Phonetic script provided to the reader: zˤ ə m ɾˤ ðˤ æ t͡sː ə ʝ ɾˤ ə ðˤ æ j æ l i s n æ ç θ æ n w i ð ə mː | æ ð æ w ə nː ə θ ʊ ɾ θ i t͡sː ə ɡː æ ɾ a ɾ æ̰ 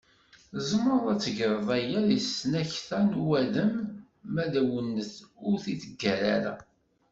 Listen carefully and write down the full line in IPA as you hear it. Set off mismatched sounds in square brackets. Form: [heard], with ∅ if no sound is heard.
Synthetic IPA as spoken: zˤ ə m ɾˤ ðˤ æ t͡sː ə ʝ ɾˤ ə ðˤ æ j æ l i s n æ ç θ æ n w [æ] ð ə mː | æ ð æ w ə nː ə θ ʊ ɾ θ i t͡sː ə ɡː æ ɾ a ɾ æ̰